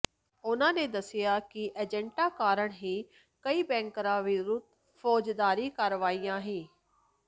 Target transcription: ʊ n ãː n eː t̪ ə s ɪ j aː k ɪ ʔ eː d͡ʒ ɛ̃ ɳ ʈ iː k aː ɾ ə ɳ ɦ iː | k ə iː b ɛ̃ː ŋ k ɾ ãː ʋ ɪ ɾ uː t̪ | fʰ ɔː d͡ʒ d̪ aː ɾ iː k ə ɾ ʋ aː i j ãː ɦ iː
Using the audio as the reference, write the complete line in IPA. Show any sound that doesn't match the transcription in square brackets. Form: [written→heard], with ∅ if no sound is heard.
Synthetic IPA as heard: ʊ n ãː n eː [t̪→d̪] ə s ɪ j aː k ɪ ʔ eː d͡ʒ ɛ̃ ɳ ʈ [iː→aː] k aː ɾ ə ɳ ɦ iː | k ə iː b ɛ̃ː ŋ k ɾ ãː ʋ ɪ ɾ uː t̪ | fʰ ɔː d͡ʒ d̪ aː ɾ iː k ə ɾ ʋ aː i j ãː ɦ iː